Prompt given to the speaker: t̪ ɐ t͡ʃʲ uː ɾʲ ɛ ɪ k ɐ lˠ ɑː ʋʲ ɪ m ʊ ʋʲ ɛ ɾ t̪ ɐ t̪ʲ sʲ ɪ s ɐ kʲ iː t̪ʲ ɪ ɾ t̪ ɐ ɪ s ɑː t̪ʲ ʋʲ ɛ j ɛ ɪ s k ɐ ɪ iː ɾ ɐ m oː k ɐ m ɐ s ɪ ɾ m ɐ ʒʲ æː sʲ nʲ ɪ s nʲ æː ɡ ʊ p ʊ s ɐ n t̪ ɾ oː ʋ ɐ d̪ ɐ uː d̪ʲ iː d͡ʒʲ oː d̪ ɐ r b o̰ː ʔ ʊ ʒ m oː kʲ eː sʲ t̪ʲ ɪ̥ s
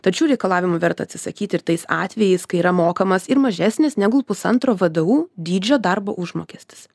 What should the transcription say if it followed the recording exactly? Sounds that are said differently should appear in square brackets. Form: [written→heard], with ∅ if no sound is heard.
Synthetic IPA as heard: t̪ ɐ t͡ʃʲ uː ɾʲ ɛ ɪ k ɐ lˠ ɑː ʋʲ ɪ m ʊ ʋʲ ɛ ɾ t̪ ɐ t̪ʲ sʲ ɪ s ɐ kʲ iː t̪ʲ ɪ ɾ t̪ ɐ ɪ s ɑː t̪ʲ ʋʲ ɛ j ɛ ɪ s k ɐ ɪ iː ɾ ɐ m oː k ɐ m ɐ s ɪ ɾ m ɐ ʒʲ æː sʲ nʲ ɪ s nʲ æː ɡ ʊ p ʊ s ɐ n t̪ ɾ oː ʋ ɐ d̪ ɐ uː d̪ʲ iː d͡ʒʲ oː d̪ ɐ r b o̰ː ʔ ʊ ʒ m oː kʲ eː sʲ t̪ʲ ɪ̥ s